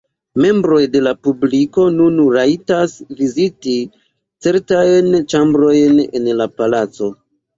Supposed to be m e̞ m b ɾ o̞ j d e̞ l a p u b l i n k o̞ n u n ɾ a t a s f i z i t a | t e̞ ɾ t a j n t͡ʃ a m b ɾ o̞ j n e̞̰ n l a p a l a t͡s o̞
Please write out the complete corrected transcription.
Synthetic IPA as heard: m e̞ m b ɾ o̞ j d e̞ l a p u b l i k o̞ n u n ɾ a t a s v i z i t i | t͡s e̞ ɾ t a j n t͡ʃ a m b ɾ o̞ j n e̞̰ n l a p a l a t͡s o̞